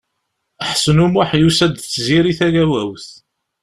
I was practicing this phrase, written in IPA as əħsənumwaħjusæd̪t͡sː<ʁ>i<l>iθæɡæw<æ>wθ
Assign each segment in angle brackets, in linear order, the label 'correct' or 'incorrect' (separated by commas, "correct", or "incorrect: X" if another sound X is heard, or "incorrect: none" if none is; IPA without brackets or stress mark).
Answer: incorrect: z, incorrect: ɾ, correct